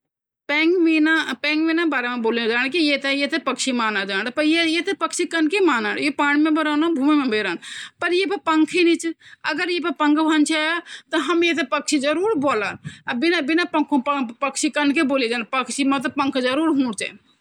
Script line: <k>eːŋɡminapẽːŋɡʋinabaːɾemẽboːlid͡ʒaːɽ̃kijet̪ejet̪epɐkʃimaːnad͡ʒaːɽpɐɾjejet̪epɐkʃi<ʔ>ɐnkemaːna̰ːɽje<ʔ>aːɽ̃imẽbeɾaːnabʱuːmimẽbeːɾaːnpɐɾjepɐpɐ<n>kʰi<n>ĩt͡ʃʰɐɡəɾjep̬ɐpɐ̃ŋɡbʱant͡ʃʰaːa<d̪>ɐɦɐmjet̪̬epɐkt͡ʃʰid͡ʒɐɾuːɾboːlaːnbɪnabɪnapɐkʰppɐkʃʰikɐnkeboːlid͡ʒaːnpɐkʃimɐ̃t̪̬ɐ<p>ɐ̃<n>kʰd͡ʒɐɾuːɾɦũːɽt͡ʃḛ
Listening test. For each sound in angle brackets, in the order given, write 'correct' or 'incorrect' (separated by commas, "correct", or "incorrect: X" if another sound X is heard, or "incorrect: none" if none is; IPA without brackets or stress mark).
incorrect: p, incorrect: k, incorrect: p, incorrect: ŋ, correct, incorrect: t̪, correct, incorrect: ŋ